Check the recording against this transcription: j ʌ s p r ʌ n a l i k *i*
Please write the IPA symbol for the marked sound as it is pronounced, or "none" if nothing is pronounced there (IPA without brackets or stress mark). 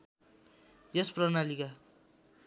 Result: a